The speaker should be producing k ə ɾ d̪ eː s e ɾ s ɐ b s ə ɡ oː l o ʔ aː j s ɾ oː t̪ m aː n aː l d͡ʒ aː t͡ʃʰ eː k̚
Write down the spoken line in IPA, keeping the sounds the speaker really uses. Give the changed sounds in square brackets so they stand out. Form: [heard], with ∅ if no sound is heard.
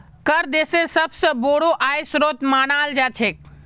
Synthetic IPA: k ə ɾ d̪ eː s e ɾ s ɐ b s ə [b] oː [ɽ] o ʔ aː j s ɾ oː t̪ m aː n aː l d͡ʒ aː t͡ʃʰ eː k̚